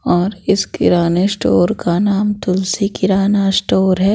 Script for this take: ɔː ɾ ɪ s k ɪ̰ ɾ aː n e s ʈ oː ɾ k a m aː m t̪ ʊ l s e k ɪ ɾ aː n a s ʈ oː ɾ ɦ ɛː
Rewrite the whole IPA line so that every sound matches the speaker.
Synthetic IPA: ɔː ɾ ɪ s k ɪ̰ ɾ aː n e s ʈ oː ɾ k a n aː m t̪ ʊ l s i k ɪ ɾ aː n a s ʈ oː ɾ ɦ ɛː